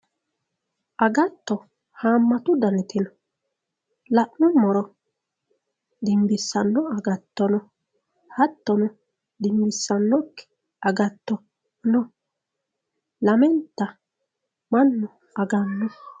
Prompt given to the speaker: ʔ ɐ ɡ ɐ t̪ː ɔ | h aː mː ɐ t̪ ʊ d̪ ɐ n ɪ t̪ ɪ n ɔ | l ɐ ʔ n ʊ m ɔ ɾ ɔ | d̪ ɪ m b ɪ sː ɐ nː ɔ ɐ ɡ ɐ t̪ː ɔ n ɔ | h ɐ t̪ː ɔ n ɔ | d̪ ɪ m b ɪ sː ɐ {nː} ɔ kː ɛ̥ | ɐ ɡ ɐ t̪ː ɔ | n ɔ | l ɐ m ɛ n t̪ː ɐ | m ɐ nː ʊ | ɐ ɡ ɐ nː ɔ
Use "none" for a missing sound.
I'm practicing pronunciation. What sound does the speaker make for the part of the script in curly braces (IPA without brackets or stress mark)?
nː